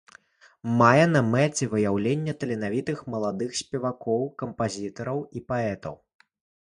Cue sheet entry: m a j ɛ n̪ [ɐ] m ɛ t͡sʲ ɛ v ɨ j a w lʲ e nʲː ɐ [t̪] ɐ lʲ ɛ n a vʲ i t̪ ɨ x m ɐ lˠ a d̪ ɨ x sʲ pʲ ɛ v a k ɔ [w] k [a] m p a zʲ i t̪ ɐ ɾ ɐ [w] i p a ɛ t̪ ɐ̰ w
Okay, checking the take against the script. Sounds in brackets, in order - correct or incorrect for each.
correct, correct, correct, incorrect, correct

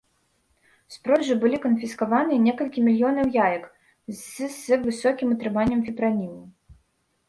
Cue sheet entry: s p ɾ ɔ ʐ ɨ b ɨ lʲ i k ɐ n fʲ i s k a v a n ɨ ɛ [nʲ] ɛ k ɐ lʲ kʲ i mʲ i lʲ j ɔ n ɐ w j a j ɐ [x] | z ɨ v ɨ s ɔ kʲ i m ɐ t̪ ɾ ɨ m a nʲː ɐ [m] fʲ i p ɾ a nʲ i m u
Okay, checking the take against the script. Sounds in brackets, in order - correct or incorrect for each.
correct, incorrect, correct

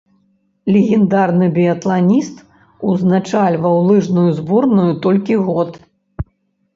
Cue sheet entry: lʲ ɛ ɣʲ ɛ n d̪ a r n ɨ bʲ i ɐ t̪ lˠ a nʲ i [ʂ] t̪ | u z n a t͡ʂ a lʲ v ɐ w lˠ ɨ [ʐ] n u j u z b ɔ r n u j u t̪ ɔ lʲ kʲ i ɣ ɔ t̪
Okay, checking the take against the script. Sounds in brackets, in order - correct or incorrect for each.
incorrect, correct

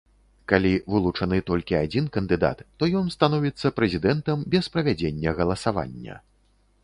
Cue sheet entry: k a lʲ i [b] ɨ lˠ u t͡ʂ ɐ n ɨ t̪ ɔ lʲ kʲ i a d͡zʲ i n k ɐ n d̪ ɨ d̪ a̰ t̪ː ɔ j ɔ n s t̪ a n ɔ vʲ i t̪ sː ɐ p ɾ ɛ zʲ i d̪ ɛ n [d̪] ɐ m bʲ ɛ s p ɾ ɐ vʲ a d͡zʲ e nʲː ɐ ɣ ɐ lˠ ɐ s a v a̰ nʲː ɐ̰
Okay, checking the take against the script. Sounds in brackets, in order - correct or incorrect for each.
incorrect, incorrect

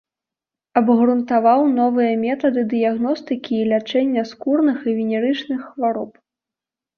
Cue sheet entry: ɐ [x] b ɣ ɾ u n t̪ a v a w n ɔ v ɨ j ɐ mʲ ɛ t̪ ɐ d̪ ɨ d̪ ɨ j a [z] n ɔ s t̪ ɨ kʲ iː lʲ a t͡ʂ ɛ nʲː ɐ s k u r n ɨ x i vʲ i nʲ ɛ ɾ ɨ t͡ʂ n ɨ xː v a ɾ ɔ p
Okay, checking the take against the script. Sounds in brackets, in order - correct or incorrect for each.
incorrect, incorrect

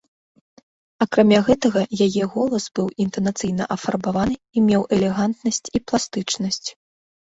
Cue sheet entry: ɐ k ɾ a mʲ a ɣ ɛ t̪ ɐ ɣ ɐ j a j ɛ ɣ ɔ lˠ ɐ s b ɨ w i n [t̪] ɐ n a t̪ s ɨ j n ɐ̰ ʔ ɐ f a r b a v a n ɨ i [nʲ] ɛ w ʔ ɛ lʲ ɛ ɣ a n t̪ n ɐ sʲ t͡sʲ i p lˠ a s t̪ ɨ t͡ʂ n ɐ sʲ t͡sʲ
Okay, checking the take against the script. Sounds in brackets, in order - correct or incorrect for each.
correct, incorrect

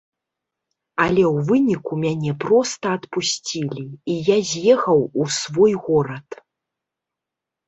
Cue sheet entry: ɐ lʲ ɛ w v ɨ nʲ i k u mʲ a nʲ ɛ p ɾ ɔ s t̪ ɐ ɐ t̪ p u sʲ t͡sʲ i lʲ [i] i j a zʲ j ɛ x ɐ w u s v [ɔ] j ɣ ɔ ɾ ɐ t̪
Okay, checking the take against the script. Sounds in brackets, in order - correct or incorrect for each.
correct, correct

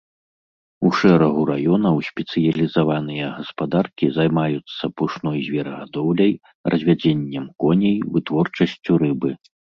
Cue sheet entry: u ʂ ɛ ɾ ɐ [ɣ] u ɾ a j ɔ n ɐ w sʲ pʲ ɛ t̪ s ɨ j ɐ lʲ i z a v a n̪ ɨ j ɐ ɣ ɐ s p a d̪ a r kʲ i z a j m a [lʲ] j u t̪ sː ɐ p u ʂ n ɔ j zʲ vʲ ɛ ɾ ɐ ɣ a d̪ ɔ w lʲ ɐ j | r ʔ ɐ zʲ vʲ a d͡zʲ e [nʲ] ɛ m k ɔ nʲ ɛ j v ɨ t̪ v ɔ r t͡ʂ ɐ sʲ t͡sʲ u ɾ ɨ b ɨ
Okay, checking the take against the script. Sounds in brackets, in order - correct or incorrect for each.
correct, incorrect, incorrect

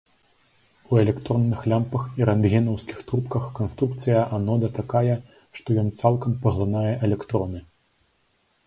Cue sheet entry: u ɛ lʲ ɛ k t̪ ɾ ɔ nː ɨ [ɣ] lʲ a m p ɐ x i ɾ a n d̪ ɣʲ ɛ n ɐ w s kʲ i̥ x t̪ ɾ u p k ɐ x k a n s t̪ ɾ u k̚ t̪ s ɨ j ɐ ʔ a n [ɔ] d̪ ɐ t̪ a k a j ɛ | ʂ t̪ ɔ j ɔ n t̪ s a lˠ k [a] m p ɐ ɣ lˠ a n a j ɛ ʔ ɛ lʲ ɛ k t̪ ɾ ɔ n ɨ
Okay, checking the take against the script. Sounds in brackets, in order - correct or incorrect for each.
incorrect, correct, incorrect

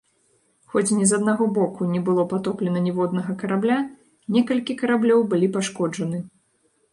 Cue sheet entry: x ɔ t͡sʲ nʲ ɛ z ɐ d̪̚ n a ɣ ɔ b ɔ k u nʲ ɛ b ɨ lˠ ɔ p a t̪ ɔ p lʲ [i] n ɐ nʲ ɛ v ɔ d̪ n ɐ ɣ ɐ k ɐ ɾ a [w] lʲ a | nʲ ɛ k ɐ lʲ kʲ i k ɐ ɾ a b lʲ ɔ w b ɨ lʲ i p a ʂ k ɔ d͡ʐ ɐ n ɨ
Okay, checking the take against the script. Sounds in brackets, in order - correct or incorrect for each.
incorrect, incorrect

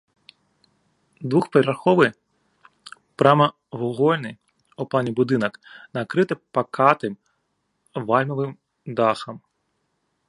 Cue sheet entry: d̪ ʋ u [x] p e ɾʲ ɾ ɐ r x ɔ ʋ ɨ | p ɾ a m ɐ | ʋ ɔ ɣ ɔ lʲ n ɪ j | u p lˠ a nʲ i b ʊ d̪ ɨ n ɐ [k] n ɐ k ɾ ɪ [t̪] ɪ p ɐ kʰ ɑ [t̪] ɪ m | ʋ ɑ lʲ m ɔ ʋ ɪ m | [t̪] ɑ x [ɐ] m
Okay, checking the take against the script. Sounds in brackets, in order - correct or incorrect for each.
correct, correct, correct, correct, incorrect, correct

